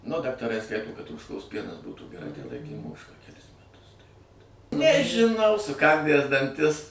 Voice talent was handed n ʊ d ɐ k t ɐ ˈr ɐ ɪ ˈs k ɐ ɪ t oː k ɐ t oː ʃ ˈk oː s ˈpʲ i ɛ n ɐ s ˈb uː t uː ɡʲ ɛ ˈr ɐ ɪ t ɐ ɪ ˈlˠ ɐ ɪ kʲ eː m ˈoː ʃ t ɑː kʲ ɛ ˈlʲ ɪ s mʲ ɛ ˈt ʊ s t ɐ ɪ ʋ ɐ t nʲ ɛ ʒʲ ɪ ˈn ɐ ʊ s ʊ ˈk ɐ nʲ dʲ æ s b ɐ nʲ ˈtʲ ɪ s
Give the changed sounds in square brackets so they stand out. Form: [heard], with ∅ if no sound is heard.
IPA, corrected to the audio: n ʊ d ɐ k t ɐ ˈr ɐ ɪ ˈs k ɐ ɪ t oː k ɐ t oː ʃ ˈk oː s ˈpʲ i ɛ n ɐ s ˈb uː t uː ɡʲ ɛ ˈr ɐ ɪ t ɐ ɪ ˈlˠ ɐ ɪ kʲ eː m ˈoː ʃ [k] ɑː kʲ ɛ ˈlʲ ɪ s mʲ ɛ ˈt ʊ s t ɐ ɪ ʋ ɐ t nʲ ɛ ʒʲ ɪ ˈn ɐ ʊ s ʊ ˈk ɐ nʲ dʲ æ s [d] ɐ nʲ ˈtʲ ɪ s